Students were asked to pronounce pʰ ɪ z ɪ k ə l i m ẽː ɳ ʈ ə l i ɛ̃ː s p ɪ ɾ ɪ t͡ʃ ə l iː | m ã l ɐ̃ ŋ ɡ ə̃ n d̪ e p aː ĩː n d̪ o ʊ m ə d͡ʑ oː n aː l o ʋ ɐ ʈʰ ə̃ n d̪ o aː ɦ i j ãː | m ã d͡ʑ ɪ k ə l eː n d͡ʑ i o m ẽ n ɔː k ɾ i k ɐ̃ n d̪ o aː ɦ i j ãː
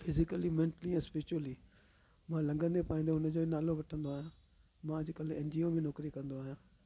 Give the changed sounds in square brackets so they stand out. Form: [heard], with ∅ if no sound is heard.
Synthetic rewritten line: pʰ ɪ z ɪ k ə l i m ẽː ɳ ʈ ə l i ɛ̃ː s p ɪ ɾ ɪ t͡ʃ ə l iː | m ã l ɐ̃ ŋ ɡ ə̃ n d̪ e p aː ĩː n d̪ o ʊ [n] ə d͡ʑ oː n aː l o ʋ ɐ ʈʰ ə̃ n d̪ o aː ɦ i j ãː | m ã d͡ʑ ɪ k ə l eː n d͡ʑ i o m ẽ n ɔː k ɾ i k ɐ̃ n d̪ o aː ɦ i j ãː